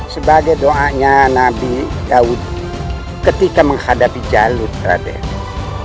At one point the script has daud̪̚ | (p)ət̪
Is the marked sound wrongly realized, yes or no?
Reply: yes